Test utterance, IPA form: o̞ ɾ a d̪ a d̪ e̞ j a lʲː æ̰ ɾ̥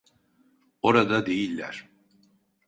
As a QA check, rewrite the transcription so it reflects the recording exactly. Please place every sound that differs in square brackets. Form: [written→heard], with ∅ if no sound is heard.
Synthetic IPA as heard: o̞ ɾ a d̪ a d̪ e̞ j [a→i] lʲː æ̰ ɾ̥